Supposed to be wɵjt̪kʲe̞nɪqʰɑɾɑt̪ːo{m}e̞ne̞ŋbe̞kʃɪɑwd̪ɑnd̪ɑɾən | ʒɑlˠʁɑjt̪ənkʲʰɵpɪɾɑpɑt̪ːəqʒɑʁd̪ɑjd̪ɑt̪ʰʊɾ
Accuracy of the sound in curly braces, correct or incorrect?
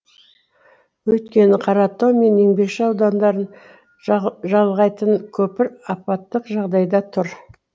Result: correct